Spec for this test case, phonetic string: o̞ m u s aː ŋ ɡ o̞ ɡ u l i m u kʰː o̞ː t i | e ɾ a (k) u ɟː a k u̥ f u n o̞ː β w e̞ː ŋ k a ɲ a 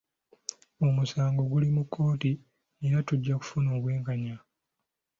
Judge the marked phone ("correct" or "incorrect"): incorrect